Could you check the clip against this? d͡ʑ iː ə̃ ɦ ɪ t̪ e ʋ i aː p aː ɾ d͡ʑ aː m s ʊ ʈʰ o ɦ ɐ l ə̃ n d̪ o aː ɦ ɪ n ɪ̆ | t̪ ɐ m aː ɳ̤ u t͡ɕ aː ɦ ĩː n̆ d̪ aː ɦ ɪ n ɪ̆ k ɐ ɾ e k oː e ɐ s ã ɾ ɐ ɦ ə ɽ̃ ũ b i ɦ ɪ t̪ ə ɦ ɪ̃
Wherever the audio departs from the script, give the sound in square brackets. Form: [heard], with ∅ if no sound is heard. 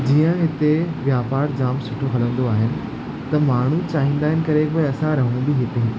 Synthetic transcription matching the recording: d͡ʑ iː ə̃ ɦ ɪ t̪ e ʋ [j] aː p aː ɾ d͡ʑ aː m s ʊ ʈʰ o ɦ ɐ l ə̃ n d̪ o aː ɦ ɪ n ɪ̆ | t̪ ɐ m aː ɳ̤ u t͡ɕ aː ɦ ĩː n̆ d̪ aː ɦ ɪ n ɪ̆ k ɐ ɾ e k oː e ɐ s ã ɾ ɐ ɦ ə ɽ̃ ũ b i ɦ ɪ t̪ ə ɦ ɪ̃